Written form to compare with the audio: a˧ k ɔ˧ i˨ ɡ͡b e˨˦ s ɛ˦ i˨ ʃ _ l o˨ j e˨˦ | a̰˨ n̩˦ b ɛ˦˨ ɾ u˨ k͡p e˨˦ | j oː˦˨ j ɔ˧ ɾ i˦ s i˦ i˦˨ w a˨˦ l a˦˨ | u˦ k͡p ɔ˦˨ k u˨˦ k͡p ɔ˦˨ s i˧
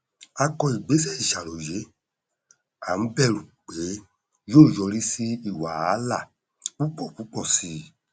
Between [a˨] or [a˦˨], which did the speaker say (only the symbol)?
a˨